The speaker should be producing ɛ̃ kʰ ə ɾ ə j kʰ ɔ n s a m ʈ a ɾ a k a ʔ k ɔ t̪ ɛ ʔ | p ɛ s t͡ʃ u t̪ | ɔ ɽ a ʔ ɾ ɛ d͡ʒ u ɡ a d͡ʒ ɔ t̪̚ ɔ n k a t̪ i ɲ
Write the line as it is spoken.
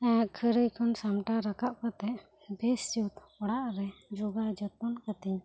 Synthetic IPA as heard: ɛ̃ kʰ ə ɾ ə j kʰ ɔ n s a m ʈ a ɾ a k a ʔ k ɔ t̪ ɛ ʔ | b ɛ s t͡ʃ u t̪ | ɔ ɽ a ʔ ɾ ɛ d͡ʒ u ɡ a d͡ʒ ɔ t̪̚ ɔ n k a t̪ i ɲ